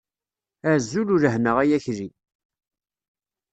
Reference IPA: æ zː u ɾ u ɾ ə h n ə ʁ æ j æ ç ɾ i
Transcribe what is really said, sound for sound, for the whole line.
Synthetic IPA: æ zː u l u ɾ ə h n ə ʁ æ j æ ç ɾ i